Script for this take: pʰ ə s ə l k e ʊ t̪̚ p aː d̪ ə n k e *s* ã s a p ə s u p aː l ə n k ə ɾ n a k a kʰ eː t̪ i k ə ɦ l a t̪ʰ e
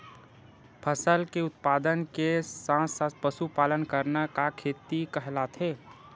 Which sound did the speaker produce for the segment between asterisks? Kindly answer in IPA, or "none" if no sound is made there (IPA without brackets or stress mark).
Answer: s